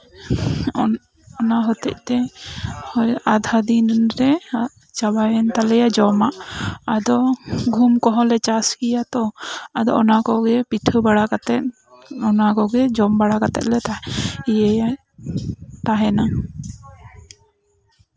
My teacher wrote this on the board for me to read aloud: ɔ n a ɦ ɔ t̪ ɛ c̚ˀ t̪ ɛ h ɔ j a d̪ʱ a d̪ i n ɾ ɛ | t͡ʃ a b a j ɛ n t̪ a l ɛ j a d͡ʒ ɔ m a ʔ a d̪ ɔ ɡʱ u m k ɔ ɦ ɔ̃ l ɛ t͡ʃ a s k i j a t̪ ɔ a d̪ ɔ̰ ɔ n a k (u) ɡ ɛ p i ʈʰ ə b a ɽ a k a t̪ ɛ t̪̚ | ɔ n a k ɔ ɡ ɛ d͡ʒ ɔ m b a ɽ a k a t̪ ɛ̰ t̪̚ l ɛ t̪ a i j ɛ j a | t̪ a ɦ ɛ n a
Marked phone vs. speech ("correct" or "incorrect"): incorrect